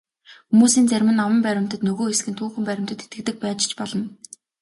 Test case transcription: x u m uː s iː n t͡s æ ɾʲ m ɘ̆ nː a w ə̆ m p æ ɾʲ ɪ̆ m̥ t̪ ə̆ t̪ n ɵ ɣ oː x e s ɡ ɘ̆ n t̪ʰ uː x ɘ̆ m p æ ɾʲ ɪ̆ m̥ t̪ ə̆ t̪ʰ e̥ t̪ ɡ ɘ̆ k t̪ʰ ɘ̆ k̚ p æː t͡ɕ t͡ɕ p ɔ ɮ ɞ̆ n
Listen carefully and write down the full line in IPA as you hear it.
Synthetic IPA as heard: x u m uː s iː n t͡s æ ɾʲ m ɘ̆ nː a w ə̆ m p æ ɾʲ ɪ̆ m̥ t̪ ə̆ t̪ n ɵ ɣ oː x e s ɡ ɘ̆ n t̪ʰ uː x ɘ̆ m p æ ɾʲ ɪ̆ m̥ t̪ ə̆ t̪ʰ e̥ t̪ ɡ ɘ̆ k t̪ ɘ̆ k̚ p æː t͡ɕ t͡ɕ p ɔ ɮ ɞ̆ n

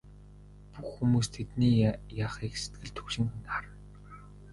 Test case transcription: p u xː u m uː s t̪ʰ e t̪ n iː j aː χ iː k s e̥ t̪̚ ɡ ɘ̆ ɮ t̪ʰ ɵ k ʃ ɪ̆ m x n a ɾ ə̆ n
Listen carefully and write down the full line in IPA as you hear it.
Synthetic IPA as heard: p u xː u m uː s t̪ʰ e t̪ n iː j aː χ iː k s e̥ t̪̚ ɡ ɘ̆ ɮ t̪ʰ ɵ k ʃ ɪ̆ ŋ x n a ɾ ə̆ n

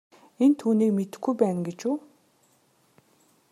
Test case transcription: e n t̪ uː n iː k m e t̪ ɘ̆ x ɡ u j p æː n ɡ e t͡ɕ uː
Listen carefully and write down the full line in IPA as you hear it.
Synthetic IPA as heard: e n t̪ʰ uː n iː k m e t̪ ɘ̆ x ɡ u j p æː n ɡ e t͡ɕ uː

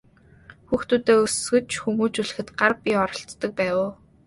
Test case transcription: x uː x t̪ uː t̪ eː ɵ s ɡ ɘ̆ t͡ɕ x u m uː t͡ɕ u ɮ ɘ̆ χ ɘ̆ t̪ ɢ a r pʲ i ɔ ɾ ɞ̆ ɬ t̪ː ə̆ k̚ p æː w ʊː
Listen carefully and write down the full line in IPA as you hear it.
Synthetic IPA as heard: x uː x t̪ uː t̪ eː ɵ s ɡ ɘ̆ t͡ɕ x u m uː t͡ɕ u ɮ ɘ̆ x ɘ̆ t̪ ɢ a r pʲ i ɔ ɾ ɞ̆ ɬ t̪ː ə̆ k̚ p æː w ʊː

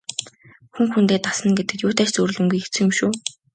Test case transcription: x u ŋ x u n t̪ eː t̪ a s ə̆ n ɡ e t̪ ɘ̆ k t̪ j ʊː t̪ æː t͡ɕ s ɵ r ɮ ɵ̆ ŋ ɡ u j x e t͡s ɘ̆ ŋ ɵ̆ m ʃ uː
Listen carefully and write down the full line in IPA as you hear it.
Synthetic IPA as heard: x u ŋ x u n t̪ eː t̪ a s ə̆ n ɡ e t̪ ɘ̆ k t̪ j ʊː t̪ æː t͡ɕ t͡s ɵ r ɮ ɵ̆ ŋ ɡ u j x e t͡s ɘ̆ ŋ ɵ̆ m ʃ uː

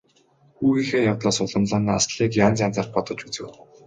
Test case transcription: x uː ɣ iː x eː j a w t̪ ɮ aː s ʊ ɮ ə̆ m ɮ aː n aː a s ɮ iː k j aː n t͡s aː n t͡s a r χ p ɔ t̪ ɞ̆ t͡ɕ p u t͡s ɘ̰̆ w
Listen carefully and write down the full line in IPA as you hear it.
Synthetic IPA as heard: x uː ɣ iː x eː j a w t̪ ɮ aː s ʊ ɮ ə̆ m ɮ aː n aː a s ɮ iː k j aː n t͡s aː n t͡s a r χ p ɔ t̪ ɞ̆ t͡ɕ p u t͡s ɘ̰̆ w

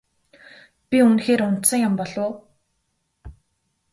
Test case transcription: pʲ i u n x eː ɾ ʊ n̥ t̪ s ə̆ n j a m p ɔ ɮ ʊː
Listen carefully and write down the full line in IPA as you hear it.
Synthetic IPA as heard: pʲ i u n x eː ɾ ʊ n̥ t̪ s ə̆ ŋ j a m p ɔ ɮ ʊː

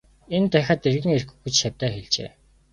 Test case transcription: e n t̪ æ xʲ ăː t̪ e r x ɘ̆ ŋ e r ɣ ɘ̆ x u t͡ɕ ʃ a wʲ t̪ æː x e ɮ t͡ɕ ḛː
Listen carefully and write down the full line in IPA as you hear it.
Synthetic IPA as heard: e n t̪ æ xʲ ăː t̪ e r ɣ ɘ̆ ŋ e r x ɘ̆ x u t͡ɕ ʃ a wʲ t̪ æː x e ɮ t͡ɕ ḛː

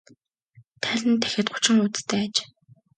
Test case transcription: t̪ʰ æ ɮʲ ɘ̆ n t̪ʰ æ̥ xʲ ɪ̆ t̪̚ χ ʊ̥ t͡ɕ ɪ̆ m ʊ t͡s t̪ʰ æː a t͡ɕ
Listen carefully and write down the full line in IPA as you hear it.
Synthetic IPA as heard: t̪ʰ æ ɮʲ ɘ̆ n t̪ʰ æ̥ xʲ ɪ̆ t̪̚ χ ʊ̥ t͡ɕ ɪ̆ ŋ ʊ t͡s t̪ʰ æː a t͡ɕ

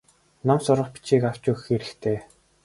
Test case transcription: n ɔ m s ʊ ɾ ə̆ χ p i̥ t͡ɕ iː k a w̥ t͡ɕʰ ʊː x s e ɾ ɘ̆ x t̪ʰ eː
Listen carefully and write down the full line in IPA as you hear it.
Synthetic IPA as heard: n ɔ m s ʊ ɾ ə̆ χ p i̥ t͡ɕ iː k a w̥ t͡ɕ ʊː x x e ɾ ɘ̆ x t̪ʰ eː

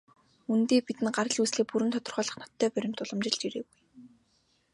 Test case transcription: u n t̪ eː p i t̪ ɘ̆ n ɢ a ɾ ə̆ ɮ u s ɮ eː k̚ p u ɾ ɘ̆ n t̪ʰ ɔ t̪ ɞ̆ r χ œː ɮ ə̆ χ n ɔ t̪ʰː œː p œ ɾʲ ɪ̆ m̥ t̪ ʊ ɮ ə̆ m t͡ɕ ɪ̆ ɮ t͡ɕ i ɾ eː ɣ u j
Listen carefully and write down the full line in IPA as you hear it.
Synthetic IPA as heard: u n t̪ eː p i t̪ ɘ̆ n ɢ a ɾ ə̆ ɮ u s ɮ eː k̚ p u ɾ ɘ̆ n t̪ʰ ɔ t̪ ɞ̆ r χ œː ɮ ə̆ χ n ɔ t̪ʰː œː p œ ɾʲ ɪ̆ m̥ t̪ ʊ ɮ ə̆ m t͡ɕ ɪ̆ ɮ t͡ɕ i ɾ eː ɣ u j

